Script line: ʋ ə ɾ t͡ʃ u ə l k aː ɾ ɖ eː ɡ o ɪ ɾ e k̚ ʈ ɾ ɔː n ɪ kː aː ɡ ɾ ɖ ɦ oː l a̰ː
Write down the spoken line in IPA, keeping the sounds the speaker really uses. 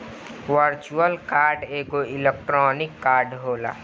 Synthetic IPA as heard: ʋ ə ɾ t͡ʃ u ə l k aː ɾ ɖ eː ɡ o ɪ l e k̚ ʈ ɾ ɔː n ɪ kː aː ɾ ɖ ɦ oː l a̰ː